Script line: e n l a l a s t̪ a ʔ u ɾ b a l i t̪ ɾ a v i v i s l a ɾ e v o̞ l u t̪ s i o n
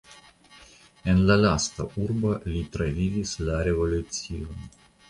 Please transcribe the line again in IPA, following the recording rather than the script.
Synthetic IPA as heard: e n l a l a s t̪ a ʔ u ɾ b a l i t̪ ɾ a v i v i s l a ɾ e v o̞ l u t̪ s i o n